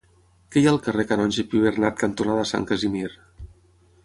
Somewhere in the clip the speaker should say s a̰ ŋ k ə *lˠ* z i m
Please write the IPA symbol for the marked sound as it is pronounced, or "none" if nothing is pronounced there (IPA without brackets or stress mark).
none